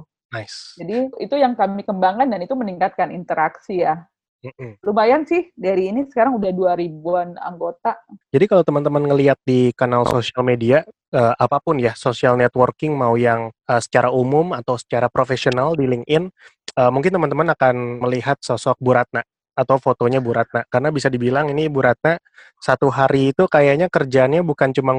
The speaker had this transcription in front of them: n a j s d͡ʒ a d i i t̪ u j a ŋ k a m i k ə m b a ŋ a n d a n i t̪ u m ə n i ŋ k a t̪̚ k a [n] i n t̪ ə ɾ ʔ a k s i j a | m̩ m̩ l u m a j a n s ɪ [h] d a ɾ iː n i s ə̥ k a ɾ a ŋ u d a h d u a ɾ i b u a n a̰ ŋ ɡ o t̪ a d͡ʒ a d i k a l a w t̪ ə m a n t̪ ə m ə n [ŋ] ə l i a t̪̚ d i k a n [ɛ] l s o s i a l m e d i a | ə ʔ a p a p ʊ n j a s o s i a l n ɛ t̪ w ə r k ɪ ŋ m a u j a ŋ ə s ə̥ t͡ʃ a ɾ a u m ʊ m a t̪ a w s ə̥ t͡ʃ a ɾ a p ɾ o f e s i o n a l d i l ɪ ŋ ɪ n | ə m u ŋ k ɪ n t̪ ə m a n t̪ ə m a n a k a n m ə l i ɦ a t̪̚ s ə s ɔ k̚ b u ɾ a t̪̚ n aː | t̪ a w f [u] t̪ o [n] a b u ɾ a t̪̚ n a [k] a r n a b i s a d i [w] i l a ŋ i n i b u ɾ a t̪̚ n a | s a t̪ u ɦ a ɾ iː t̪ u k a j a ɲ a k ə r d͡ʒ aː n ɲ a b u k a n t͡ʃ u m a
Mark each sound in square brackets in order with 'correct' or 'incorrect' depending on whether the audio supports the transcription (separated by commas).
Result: correct, correct, correct, incorrect, incorrect, incorrect, correct, incorrect